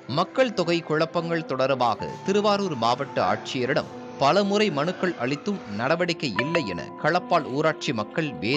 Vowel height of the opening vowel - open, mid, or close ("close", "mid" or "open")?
open